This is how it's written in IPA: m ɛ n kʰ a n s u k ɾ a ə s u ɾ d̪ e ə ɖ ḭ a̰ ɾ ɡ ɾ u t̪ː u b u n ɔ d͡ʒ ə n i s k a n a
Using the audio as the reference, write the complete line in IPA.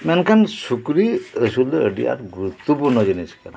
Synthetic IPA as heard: m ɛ n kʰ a n s u k ɾ i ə s u l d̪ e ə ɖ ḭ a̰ ɾ ɡ ɾ u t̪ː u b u n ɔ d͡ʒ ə n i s k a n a